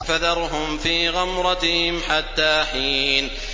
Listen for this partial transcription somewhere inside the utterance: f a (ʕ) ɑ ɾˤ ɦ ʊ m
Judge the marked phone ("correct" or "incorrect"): incorrect